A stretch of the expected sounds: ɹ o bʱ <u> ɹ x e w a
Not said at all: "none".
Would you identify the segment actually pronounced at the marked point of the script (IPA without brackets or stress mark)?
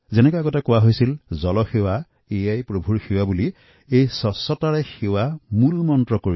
u